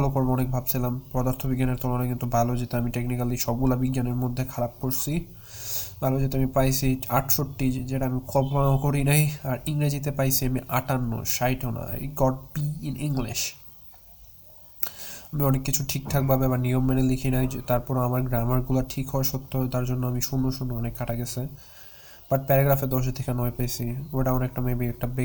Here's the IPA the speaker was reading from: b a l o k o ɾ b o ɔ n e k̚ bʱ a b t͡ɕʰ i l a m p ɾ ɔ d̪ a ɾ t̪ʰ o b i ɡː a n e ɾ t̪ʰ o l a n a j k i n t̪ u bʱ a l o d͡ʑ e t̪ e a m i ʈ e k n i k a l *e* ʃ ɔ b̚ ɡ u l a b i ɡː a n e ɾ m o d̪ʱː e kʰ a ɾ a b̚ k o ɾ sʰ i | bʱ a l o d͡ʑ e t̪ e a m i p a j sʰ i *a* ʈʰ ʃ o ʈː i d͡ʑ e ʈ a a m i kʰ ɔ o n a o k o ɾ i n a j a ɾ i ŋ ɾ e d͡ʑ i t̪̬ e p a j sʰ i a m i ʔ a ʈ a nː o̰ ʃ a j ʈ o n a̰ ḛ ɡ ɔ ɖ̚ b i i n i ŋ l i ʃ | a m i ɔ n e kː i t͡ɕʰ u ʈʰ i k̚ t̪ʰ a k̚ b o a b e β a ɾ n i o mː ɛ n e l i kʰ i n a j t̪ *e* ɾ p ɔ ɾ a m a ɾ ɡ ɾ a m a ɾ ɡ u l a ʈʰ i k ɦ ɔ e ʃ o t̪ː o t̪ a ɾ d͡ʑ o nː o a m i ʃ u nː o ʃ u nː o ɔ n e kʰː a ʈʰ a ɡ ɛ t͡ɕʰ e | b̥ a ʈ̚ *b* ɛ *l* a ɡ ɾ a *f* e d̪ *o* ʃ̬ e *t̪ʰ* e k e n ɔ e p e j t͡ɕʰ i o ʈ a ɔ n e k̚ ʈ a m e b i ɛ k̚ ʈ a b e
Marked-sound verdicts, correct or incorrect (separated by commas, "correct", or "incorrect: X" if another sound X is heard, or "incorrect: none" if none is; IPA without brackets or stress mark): incorrect: i, correct, incorrect: a, incorrect: p, incorrect: ɾ, correct, incorrect: ɔ, correct